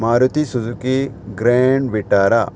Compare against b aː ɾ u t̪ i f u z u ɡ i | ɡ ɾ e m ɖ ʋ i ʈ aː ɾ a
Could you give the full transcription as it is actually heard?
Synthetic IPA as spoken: m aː ɾ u t̪ i s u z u k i | ɡ ɾ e ɳ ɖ ʋ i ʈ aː ɾ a